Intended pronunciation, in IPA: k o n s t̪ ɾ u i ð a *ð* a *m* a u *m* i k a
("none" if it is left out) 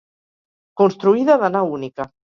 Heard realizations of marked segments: ð, n, n

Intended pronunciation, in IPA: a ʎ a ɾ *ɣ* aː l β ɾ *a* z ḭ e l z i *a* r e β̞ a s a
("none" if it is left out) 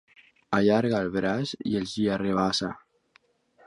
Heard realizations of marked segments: ɣ, a, a

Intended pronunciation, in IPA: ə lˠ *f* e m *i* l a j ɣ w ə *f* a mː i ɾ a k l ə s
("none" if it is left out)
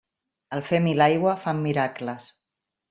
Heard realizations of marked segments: f, i, f

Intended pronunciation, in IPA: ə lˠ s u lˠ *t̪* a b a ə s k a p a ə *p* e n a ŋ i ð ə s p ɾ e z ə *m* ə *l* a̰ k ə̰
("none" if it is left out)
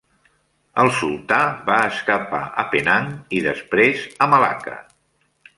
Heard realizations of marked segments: t̪, p, m, l

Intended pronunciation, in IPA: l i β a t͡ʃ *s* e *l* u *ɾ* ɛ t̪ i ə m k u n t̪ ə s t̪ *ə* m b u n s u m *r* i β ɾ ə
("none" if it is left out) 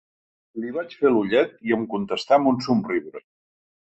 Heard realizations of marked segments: f, l, ʎ, a, r

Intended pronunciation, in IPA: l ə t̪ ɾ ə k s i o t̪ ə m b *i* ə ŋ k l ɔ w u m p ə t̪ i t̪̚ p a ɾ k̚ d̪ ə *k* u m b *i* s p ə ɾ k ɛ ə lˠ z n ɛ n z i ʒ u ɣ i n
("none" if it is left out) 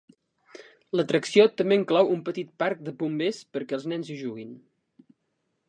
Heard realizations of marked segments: e, p, e

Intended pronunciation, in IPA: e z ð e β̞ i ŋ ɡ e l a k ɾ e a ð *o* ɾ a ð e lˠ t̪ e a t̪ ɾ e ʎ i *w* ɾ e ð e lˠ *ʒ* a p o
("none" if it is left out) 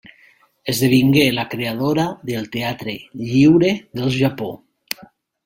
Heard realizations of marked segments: o, w, ʒ

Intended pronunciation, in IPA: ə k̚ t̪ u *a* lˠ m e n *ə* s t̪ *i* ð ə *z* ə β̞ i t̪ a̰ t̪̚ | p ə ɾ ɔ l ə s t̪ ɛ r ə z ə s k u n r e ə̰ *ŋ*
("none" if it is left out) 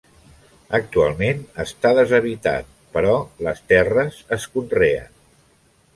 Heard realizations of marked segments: a, ə, a, z, n

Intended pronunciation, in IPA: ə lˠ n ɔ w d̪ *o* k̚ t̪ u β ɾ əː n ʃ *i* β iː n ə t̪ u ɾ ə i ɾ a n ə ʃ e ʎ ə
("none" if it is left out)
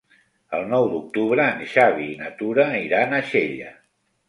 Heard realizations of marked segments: u, a

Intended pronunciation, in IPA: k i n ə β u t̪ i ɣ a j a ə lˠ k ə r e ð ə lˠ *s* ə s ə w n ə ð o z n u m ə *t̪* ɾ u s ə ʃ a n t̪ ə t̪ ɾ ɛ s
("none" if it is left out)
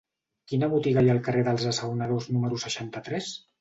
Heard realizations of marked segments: z, none

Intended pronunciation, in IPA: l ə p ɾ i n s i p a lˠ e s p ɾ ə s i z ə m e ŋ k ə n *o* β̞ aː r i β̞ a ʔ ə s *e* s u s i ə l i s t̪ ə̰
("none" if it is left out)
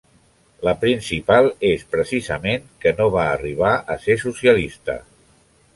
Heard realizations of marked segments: o, e

